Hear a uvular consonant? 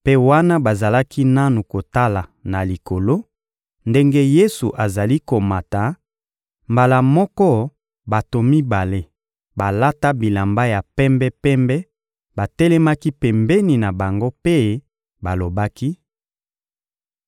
no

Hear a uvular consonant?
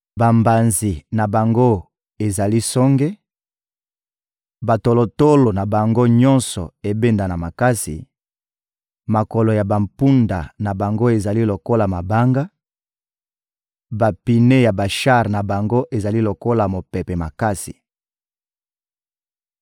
yes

